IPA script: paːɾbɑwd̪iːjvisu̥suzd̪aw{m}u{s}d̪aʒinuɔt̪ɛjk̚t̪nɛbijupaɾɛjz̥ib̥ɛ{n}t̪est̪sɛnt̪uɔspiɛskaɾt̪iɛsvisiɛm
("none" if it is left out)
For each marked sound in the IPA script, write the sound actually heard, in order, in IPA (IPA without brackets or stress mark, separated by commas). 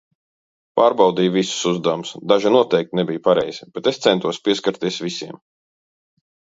m, s, none